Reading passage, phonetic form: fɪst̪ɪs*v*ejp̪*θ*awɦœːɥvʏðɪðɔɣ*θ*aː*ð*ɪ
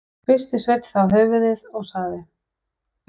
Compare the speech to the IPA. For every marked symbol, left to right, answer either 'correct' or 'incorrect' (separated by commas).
correct, correct, incorrect, correct